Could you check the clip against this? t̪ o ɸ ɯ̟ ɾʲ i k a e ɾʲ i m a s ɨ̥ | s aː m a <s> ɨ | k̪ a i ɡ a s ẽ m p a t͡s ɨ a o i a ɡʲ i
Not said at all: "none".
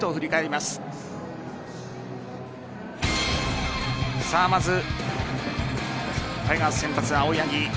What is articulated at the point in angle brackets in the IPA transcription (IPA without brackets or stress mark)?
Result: z